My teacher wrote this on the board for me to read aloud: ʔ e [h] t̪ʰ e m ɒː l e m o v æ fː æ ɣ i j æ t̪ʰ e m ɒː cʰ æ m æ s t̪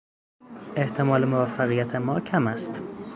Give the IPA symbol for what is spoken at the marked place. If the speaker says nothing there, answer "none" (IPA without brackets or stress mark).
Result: h